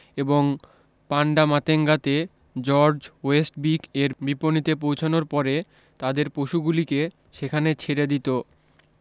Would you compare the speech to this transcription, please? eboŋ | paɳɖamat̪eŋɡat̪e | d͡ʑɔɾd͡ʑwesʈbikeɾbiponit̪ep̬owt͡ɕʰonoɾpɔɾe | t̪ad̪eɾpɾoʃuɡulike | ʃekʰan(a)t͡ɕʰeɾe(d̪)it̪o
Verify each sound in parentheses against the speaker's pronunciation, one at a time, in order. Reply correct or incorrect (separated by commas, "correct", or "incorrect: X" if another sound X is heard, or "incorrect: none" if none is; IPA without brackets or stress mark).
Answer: incorrect: e, correct